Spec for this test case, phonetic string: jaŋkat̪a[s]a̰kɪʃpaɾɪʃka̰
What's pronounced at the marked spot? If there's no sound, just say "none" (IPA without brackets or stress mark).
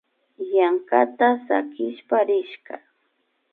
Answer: s